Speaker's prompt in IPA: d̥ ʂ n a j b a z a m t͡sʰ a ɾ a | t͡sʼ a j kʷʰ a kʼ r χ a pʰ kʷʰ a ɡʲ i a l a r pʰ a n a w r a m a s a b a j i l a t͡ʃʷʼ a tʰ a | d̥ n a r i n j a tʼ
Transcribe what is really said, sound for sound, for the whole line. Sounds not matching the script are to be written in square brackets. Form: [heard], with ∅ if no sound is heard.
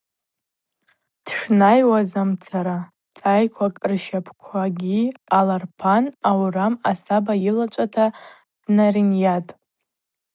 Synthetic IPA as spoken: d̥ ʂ n a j [w] a z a m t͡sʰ a ɾ a | t͡sʼ a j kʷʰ a kʼ r [ʃ] a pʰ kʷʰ a ɡʲ i a l a r pʰ a n a w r a m a s a b a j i l a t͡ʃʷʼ a tʰ a | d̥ n a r i n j a tʼ